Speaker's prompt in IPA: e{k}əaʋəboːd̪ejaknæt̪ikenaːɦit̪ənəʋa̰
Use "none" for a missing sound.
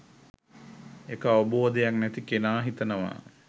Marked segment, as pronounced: k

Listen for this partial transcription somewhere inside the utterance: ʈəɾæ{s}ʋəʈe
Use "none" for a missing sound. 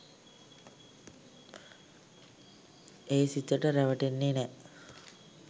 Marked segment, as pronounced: none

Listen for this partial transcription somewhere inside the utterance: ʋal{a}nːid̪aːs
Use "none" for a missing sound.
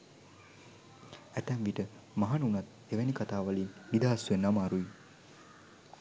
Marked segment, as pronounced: i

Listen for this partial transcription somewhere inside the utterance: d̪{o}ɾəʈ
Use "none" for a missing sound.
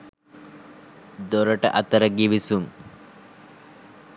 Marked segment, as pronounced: o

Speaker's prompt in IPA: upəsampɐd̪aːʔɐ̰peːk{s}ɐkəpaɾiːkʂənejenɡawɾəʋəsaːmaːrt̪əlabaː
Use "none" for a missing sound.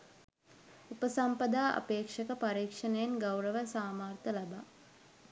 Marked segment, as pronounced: ʂ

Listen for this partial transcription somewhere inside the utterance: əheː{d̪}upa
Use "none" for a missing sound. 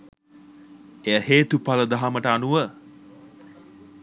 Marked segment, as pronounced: t̪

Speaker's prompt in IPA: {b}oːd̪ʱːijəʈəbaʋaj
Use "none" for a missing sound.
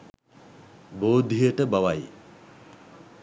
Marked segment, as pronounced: b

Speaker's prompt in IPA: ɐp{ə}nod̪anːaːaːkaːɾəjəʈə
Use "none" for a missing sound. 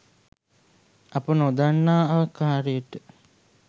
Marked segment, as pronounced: ə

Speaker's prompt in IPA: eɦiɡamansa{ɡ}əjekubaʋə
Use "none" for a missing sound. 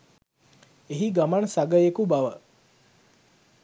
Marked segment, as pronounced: ɡ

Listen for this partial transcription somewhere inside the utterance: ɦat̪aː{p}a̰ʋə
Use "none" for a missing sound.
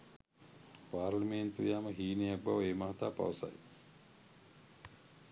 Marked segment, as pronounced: p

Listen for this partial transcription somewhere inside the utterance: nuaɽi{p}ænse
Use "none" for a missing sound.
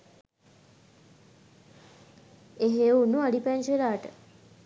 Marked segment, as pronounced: p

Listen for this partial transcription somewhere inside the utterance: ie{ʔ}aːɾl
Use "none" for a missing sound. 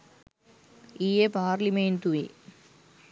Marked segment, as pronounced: p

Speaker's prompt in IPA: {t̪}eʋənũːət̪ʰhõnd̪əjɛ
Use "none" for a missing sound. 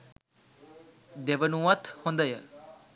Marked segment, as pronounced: d̪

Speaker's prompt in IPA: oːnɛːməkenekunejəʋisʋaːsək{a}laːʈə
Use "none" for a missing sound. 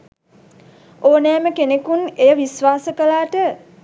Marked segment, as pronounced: ə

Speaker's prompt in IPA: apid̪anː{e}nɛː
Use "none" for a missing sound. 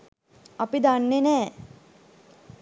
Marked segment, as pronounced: e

